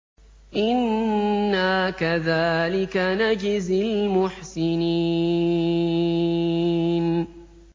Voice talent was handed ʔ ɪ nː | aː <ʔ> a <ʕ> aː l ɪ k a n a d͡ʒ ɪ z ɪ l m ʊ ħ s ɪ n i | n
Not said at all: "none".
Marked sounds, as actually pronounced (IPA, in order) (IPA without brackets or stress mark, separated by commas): k, ð